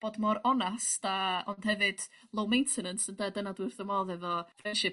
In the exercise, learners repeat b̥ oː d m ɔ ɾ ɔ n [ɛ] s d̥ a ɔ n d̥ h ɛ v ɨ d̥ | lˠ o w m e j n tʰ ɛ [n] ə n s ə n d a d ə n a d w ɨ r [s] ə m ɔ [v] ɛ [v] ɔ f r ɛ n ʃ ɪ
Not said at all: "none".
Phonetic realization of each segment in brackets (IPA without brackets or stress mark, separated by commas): a, n, θ, ð, v